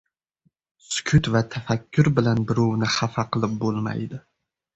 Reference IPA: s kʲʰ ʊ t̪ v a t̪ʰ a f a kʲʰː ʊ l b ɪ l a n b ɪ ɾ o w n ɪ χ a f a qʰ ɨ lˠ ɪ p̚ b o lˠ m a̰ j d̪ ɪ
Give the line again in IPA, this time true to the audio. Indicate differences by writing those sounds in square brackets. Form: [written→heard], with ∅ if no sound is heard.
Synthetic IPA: s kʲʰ ʊ t̪ v a t̪ʰ a f a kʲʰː ʊ [l→ɾ] b ɪ l a n b ɪ ɾ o w n ɪ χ a f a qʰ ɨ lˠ ɪ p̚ b o lˠ m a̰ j d̪ ɪ

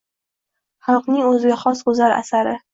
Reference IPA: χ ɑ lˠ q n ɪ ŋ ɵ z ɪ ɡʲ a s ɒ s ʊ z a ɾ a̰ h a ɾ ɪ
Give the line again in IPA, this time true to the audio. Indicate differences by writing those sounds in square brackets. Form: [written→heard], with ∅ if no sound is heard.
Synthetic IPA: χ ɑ lˠ q n ɪ ŋ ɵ z ɪ ɡʲ a [s→χ] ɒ s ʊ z a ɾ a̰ [h→s] a ɾ ɪ

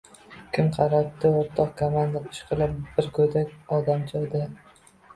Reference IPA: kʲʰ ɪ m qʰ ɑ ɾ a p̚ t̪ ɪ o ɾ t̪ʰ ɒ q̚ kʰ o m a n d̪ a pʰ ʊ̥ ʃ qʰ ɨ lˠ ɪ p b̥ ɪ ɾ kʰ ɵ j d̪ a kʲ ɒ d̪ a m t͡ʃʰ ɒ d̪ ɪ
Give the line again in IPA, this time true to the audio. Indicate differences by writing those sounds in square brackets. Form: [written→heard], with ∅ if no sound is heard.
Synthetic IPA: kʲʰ ɪ m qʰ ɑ ɾ a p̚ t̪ ɪ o ɾ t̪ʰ ɒ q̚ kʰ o m a n d̪ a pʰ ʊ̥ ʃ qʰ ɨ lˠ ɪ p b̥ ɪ ɾ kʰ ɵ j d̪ a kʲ ɒ d̪ a m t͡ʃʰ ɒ d̪ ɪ

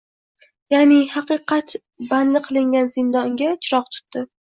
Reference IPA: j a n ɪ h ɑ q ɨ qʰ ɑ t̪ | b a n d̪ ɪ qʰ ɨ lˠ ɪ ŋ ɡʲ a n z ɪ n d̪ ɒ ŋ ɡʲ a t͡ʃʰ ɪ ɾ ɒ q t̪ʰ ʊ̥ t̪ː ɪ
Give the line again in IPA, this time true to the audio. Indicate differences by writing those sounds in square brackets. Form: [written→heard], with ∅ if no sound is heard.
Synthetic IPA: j a n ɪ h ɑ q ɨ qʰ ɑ t̪ | b a n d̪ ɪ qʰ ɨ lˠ ɪ ŋ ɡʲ a n z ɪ n d̪ ɒ ŋ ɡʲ a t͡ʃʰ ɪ ɾ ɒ q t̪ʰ ʊ̥ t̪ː ɪ

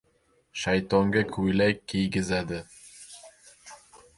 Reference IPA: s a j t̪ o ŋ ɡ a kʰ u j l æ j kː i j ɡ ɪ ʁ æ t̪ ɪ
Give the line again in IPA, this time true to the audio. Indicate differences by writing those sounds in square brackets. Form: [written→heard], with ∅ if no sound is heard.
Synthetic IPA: [s→ʃ] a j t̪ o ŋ ɡ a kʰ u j l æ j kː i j ɡ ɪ [ʁ→z] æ [t̪→d̪] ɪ

